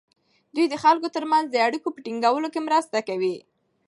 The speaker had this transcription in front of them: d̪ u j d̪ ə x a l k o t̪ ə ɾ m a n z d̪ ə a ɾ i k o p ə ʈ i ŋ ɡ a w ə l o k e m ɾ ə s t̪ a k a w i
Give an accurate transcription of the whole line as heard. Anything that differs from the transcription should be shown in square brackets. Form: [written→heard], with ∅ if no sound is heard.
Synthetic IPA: d̪ u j d̪ ə x a l k o t̪ ə ɾ m a n z d̪ ə a [ɾ→ɽ] i k o p ə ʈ i ŋ ɡ a w ə l o k e m ɾ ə s t̪ a k a w i